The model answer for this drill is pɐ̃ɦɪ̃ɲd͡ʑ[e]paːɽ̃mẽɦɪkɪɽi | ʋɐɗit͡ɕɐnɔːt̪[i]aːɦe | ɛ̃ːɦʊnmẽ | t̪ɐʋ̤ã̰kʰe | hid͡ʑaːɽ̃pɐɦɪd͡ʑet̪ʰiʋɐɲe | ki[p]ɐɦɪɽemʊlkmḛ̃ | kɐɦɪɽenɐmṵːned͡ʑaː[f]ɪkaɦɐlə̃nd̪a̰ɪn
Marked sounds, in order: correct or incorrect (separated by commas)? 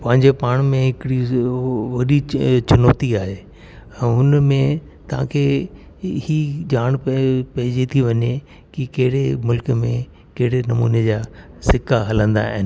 correct, correct, incorrect, incorrect